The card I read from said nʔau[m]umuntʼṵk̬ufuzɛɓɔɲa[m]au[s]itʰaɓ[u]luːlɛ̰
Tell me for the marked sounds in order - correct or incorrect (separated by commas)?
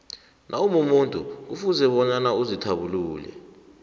correct, incorrect, incorrect, correct